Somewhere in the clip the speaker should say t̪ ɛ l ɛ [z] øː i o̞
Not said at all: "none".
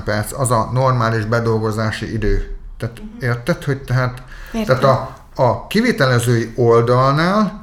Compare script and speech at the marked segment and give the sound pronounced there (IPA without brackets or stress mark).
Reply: z